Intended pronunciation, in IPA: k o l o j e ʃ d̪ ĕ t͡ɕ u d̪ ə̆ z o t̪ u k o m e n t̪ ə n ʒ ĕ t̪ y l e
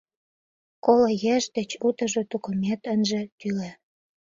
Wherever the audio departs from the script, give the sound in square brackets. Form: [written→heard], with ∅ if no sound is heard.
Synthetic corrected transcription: k o l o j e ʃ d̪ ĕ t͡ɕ u [d̪→t̪] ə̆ [z→ʒ] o t̪ u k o m e [n→∅] t̪ ə n ʒ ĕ t̪ y l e